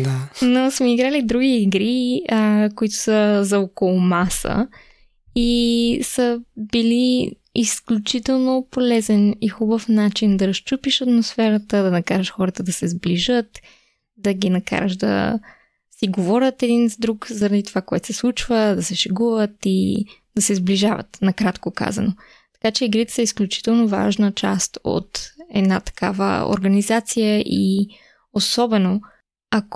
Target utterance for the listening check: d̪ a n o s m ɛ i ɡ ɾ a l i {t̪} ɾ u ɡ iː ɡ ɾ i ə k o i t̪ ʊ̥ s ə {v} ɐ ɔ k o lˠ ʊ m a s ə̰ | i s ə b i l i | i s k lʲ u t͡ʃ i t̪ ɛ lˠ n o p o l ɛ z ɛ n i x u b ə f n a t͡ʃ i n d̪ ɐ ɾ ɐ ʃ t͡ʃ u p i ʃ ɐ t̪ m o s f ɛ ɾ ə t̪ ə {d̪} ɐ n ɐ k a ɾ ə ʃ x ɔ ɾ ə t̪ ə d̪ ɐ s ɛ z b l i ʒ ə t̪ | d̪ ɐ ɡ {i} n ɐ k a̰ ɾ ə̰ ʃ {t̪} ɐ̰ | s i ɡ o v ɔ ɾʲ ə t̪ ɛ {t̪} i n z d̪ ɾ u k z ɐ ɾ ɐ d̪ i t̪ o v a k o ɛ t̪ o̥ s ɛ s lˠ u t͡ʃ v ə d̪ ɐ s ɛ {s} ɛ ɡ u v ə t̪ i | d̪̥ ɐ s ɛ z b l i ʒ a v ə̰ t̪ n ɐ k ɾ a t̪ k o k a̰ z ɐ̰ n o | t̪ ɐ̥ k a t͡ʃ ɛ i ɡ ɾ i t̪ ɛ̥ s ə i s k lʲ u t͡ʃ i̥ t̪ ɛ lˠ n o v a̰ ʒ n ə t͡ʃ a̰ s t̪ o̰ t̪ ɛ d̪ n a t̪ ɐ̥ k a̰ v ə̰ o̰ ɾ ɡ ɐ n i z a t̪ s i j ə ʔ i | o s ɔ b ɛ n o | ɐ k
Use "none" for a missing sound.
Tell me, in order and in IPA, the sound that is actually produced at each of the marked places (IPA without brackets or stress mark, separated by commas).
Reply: d̪, z, d̪, i, d̪, d̪, ʃ